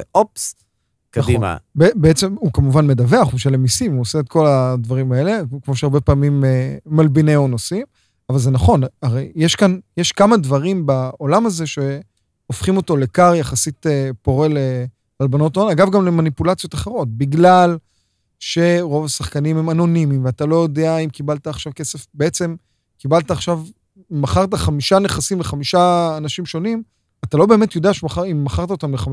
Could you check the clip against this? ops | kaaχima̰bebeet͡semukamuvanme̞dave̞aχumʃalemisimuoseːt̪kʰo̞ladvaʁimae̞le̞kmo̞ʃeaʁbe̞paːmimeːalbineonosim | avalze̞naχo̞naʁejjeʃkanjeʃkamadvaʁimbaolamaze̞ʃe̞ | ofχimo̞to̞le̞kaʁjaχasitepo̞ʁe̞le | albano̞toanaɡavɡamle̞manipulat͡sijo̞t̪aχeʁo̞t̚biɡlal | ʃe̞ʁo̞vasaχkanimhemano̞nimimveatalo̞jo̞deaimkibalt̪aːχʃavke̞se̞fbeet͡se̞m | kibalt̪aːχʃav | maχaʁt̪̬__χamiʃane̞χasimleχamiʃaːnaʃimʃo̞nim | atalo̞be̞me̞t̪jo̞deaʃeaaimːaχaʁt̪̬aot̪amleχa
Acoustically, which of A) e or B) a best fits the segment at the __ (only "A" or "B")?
B